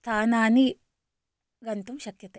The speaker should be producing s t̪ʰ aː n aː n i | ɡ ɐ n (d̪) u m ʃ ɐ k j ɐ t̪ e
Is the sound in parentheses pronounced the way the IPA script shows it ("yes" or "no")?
no